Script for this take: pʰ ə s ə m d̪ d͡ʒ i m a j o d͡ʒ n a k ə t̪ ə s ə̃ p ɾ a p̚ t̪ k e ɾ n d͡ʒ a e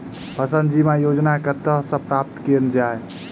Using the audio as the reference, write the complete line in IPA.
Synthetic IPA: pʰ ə s ə n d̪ d͡ʒ i m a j o d͡ʒ n a k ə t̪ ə s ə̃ p ɾ a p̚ t̪ k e ɾ n d͡ʒ a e